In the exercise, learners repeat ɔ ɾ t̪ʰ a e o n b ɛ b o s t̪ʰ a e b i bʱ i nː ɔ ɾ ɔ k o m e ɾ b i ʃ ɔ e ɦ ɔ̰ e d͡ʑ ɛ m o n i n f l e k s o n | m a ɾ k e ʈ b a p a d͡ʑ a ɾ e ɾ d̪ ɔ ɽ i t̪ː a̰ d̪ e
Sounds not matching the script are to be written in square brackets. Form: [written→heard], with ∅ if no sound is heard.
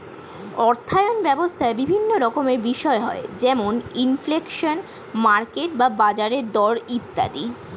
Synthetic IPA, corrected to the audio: ɔ ɾ t̪ʰ a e o n b ɛ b o s t̪ʰ a e b i bʱ i nː [ɔ→o] ɾ ɔ k o m e ɾ b i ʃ ɔ e ɦ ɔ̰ e d͡ʑ ɛ m o n i n f l e k [s→ʃ] o n | m a ɾ k e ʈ b a [p→b] a d͡ʑ a ɾ e ɾ d̪ ɔ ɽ i t̪ː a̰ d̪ [e→i]